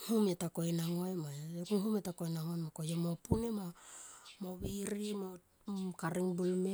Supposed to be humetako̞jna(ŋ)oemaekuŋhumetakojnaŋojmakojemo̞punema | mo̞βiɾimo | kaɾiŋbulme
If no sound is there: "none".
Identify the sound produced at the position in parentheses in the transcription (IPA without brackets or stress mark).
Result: ŋ